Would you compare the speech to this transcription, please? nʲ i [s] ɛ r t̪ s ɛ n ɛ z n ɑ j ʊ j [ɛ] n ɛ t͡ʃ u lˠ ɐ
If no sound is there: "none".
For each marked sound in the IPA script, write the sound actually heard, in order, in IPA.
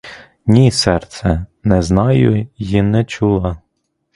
s, i

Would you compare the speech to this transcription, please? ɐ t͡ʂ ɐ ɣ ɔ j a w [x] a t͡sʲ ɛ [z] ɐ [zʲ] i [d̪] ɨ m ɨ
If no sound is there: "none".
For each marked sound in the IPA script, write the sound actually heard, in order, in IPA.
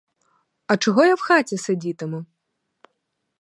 x, s, d͡zʲ, t̪

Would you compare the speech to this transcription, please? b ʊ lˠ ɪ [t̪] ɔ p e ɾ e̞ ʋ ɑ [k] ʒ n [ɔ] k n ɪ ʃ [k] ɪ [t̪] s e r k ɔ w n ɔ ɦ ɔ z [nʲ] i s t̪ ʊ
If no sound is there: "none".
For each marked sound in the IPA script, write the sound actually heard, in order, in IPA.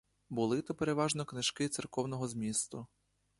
t̪, none, ɔ, k, t̪, mʲ

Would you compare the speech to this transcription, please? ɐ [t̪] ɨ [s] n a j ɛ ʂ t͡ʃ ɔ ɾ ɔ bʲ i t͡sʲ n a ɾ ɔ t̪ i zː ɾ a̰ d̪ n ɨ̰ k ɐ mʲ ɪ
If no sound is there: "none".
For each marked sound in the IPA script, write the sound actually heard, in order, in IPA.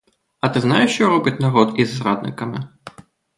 t̪, z

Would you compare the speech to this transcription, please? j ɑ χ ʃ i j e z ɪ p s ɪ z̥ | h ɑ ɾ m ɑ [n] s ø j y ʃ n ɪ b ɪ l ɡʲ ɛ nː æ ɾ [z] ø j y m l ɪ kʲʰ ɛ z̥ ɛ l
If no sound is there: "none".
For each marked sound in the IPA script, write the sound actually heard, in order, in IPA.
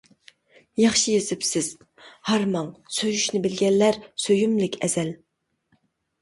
ŋ, s

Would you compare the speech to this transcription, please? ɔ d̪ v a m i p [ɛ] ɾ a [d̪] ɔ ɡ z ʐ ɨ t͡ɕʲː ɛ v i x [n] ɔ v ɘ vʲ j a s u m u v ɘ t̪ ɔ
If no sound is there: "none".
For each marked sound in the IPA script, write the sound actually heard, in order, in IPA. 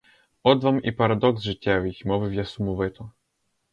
a, d̪, m

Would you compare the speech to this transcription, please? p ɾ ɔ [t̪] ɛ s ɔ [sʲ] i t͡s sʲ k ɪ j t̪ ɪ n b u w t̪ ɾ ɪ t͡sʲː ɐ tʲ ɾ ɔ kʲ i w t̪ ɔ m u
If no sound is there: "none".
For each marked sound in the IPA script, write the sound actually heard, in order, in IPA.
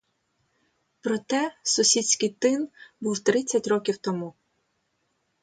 t̪, sʲ

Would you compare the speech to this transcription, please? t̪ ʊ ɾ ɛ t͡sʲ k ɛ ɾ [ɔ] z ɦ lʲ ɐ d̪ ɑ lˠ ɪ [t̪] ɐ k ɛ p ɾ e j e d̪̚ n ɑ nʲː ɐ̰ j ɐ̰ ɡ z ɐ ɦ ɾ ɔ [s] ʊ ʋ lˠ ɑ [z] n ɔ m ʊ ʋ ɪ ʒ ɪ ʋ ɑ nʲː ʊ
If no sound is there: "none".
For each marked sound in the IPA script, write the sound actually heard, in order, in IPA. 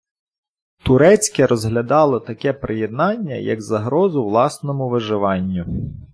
ɔ, t̪, z, s

